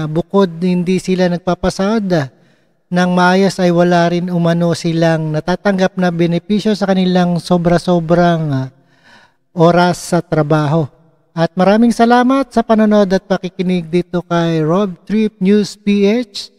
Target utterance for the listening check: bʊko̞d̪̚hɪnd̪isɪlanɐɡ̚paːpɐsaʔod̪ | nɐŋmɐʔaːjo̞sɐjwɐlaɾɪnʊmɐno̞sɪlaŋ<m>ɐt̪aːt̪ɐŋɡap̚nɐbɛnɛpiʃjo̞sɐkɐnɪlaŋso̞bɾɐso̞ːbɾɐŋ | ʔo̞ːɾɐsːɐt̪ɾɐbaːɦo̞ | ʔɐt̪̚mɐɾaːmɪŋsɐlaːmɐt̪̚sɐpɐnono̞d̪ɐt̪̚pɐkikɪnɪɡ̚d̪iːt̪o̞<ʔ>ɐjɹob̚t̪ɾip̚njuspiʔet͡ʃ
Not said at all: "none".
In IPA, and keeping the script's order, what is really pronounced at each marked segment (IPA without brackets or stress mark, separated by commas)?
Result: n, k